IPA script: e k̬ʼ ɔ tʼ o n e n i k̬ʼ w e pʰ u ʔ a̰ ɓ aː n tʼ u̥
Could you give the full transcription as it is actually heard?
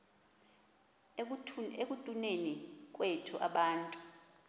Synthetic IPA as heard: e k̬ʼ u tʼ u n e n i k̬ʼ w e tʰ u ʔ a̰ ɓ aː n tʼ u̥